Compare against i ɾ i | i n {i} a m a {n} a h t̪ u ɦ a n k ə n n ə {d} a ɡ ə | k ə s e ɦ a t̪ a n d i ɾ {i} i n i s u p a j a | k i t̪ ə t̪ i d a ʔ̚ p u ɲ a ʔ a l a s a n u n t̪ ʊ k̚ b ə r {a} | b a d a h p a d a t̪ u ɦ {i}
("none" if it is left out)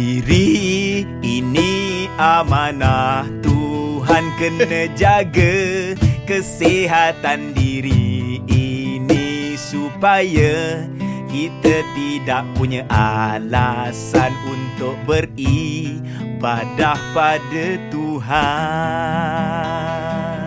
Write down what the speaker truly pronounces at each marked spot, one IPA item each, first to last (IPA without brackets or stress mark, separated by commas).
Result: i, n, d͡ʒ, i, i, a